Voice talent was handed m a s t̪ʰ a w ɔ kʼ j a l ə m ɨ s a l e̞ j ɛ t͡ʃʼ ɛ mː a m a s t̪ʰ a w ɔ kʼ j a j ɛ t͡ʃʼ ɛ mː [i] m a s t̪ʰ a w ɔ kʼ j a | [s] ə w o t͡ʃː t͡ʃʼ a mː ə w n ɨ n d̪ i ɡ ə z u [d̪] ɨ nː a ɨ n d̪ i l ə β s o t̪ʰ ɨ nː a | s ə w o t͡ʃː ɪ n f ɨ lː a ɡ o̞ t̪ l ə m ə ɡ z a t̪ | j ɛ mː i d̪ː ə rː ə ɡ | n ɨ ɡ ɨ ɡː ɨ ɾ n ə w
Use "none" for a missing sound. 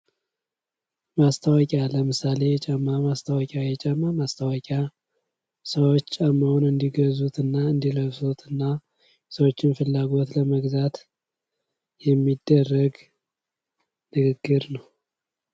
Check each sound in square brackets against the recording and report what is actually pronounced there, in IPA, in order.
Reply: a, s, t̪

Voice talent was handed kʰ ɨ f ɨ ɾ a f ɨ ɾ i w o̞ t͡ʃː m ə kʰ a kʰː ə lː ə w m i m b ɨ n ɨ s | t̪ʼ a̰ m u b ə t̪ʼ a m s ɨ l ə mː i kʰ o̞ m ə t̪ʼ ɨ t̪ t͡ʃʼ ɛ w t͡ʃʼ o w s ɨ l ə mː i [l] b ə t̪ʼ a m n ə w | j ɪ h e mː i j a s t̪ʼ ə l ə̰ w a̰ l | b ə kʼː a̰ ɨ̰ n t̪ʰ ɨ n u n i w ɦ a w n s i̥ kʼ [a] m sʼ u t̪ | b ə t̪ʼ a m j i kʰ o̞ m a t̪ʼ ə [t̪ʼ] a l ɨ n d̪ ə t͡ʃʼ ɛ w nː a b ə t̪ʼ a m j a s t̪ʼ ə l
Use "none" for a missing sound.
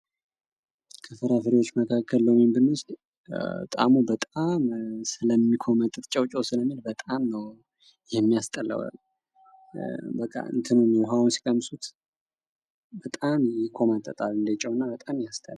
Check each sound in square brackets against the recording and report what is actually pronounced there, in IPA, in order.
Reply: l, ə, t̪ʼ

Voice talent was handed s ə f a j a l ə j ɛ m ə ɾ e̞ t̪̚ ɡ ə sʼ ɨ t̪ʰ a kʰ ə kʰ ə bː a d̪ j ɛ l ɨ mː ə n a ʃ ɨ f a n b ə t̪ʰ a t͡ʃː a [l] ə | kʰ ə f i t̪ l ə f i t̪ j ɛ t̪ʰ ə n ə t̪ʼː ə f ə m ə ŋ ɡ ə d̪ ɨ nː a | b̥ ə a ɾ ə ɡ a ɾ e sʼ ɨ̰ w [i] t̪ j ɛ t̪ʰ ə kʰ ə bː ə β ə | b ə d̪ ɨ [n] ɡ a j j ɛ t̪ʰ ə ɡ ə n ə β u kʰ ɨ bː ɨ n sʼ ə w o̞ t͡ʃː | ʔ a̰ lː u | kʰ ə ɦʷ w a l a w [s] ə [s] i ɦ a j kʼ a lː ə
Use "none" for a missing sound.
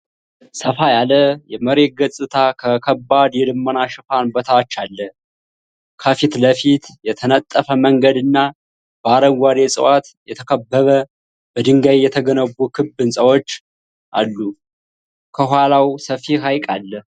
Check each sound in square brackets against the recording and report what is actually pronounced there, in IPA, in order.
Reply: lː, a, ŋ, s, f

